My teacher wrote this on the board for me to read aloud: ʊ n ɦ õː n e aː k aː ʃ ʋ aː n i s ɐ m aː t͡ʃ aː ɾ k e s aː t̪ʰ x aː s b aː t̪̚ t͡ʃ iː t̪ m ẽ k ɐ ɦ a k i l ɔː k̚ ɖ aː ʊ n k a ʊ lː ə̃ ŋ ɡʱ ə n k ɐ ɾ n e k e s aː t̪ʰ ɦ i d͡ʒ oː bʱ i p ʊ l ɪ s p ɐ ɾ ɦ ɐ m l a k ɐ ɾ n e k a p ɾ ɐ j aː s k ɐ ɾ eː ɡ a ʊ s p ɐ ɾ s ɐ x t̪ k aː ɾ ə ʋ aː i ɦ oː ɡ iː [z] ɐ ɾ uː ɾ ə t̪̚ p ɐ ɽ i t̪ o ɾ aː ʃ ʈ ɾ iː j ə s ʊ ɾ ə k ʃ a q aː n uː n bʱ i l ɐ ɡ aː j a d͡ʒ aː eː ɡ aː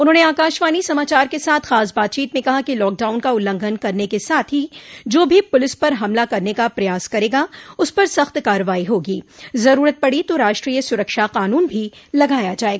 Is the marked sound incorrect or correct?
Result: correct